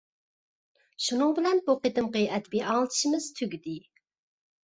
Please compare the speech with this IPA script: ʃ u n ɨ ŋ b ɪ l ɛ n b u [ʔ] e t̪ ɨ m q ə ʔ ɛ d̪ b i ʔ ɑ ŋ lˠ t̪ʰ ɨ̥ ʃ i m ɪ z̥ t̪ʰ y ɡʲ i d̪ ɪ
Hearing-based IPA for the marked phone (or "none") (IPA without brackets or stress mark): q